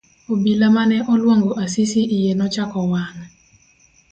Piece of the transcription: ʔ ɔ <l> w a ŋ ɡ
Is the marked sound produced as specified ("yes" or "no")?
yes